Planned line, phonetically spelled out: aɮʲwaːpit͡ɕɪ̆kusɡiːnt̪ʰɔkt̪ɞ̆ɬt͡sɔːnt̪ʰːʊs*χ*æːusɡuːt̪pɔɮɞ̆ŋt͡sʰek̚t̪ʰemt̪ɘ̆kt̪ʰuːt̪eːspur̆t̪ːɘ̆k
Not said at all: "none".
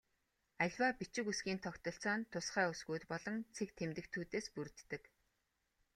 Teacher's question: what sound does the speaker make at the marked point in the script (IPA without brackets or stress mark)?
χ